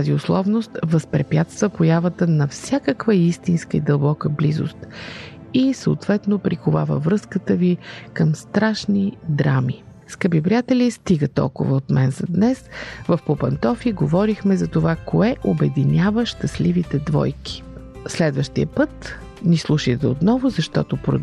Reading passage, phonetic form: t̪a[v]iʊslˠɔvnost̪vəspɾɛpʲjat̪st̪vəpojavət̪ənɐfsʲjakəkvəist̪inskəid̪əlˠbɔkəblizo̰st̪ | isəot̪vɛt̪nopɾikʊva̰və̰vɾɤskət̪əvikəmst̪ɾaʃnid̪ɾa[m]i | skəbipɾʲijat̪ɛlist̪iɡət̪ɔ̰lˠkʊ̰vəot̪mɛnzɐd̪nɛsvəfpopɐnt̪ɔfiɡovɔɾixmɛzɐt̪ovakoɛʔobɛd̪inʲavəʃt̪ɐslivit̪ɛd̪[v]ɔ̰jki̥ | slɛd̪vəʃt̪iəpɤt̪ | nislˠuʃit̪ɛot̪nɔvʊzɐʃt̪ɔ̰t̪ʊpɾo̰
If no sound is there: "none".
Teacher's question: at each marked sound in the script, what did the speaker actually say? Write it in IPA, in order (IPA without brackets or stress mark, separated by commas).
z, m, v